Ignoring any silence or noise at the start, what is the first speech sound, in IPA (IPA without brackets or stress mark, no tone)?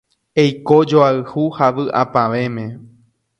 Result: e